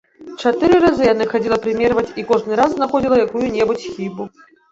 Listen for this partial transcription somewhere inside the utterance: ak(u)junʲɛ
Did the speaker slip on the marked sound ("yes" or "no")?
no